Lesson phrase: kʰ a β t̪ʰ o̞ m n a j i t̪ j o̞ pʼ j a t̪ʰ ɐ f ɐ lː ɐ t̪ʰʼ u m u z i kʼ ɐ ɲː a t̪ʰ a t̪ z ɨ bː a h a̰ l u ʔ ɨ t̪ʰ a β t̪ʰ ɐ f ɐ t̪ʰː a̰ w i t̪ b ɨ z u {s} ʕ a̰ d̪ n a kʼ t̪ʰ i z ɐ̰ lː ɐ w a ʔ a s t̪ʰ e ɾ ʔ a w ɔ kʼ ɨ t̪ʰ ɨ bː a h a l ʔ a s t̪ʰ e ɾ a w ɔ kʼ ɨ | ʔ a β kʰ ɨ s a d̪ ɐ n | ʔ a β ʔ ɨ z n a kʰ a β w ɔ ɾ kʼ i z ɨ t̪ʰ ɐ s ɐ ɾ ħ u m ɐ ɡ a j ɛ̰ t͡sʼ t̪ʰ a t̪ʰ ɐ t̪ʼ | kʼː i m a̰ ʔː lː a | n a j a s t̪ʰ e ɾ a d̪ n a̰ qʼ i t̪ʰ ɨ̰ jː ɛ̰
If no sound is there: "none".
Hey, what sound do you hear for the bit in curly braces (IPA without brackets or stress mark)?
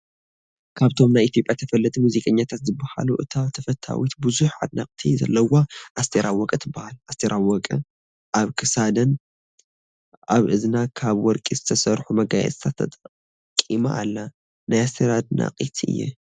ħ